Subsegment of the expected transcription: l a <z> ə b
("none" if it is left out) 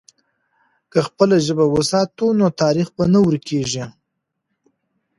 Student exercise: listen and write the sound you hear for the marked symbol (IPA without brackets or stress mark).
ʒ